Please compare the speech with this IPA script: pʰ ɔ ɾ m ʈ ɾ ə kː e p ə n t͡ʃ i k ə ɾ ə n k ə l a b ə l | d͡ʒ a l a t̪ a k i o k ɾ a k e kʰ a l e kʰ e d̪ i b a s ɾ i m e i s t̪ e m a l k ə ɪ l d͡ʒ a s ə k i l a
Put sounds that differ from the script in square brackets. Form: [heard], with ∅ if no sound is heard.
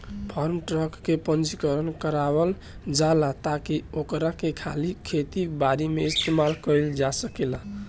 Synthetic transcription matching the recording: pʰ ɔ ɾ m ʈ ɾ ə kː e p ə n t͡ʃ i k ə ɾ ə n k ə [ɾ] a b ə l | d͡ʒ a l a t̪ a k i o k ɾ a k e kʰ a l [i] kʰ e [t̪] i b a [∅] ɾ i m e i s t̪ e m a l k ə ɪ l d͡ʒ a s ə k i l a